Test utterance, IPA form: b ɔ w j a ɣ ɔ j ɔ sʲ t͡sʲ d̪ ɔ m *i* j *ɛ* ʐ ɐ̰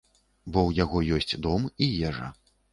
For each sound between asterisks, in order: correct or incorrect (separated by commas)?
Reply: correct, correct